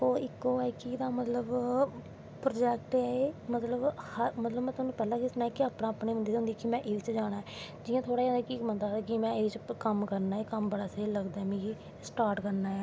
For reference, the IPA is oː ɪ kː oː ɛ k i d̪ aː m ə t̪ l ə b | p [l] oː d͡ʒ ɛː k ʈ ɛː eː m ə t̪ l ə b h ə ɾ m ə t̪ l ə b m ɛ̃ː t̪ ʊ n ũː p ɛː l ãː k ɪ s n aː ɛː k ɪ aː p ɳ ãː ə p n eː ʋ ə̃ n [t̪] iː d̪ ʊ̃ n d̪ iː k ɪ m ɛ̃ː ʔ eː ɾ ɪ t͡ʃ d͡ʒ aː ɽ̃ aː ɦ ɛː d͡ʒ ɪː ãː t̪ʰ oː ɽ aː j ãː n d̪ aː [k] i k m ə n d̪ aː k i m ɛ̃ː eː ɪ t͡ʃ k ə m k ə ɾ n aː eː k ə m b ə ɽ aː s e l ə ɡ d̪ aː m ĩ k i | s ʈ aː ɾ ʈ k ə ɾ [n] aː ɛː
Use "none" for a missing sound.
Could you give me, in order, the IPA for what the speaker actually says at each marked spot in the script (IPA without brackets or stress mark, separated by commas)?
ɾ, d̪, k, n